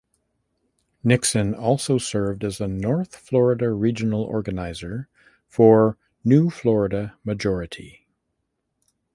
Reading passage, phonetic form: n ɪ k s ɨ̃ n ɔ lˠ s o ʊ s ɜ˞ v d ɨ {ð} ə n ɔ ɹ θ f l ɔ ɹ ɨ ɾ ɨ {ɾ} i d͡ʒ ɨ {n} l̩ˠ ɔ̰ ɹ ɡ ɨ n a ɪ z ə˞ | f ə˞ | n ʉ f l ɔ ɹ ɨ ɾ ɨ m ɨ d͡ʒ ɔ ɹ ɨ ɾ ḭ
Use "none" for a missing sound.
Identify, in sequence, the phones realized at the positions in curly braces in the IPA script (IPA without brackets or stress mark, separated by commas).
z, ɹ, n